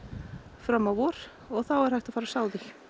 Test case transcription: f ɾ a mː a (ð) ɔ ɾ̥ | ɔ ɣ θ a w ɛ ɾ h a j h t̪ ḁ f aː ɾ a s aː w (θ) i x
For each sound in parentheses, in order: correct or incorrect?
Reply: incorrect, incorrect

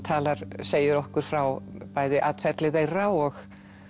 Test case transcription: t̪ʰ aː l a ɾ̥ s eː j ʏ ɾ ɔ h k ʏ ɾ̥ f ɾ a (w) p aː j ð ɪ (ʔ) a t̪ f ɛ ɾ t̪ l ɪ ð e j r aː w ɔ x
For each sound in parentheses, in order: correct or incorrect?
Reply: correct, correct

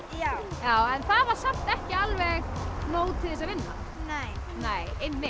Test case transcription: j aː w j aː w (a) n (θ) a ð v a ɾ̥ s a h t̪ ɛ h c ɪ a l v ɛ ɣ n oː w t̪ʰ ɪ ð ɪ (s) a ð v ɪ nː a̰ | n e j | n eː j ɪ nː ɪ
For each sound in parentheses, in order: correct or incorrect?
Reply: incorrect, correct, correct

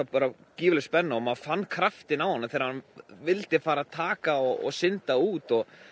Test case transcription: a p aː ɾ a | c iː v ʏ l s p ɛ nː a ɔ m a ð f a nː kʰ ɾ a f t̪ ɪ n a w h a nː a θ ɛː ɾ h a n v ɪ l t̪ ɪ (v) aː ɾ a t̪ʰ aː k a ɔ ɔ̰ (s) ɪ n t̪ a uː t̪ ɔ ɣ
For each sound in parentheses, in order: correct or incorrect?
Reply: incorrect, correct

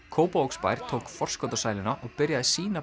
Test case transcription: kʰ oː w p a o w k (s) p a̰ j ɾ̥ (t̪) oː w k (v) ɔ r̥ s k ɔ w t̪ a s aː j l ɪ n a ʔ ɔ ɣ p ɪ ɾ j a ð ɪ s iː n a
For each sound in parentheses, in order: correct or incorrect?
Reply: correct, incorrect, incorrect

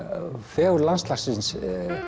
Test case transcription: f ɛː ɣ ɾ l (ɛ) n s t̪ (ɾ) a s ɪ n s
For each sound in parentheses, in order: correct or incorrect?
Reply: incorrect, incorrect

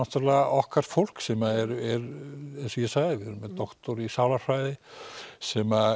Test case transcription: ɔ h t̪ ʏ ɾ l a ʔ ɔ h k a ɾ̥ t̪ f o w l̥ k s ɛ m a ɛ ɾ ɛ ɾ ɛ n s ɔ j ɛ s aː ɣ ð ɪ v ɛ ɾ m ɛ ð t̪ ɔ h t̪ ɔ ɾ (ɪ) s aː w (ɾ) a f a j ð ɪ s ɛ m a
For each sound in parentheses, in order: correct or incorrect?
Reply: incorrect, incorrect

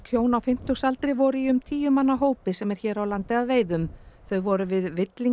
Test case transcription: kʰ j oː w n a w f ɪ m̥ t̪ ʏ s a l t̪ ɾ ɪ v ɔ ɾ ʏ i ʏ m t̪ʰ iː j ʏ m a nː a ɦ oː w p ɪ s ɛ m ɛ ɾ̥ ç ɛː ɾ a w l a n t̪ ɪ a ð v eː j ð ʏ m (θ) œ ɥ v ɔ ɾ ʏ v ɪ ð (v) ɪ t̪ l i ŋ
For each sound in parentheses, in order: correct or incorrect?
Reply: correct, correct

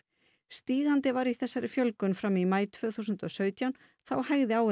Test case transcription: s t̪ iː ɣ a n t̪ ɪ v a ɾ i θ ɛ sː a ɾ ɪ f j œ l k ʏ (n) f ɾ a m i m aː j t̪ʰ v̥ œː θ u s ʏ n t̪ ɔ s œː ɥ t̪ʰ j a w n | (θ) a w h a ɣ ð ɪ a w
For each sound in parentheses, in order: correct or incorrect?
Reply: correct, correct

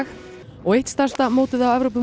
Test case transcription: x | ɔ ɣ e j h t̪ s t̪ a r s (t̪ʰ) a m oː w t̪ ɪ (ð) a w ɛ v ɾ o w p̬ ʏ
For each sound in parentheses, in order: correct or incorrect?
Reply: incorrect, correct

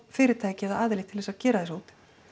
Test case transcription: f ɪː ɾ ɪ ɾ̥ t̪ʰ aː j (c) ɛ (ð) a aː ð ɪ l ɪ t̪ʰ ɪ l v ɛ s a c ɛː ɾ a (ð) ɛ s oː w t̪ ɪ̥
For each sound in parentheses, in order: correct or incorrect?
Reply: correct, correct, correct

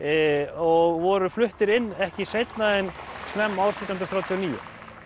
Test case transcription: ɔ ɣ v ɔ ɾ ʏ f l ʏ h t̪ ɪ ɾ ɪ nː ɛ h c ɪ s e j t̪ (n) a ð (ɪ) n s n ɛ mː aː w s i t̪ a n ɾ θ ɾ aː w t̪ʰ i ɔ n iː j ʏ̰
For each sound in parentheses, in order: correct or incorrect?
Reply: correct, correct

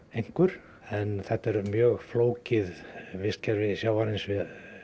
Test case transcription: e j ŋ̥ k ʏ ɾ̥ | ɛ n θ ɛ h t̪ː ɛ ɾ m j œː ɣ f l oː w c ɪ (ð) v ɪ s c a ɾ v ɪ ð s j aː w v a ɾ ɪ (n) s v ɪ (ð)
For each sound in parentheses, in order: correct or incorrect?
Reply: correct, correct, correct

